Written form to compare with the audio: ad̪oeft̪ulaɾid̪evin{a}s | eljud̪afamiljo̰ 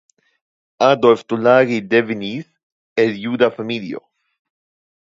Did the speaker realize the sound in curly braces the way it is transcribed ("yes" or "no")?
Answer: no